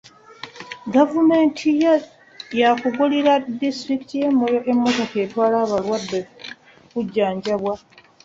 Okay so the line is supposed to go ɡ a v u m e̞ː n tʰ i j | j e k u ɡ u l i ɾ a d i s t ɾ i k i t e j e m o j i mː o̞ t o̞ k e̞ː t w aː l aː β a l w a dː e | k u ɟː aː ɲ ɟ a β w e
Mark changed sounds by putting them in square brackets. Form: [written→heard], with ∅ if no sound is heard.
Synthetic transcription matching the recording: ɡ a v u m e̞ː n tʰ i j | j [e→a] k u ɡ u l i ɾ a d i s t ɾ i k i t [e→i] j e m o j [i→e] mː o̞ t o̞ k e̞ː t w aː l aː β a l w a dː e | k u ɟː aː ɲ ɟ a β w [e→a]